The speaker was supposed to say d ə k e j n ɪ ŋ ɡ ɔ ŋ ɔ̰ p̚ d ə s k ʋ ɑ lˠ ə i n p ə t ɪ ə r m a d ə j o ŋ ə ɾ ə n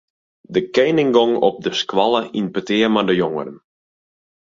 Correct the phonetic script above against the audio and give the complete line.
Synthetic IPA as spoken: d ə k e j n ɪ ŋ ɡ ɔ ŋ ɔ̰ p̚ d ə s k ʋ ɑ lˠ ə i n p ə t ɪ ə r m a d ə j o ŋ ə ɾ ə n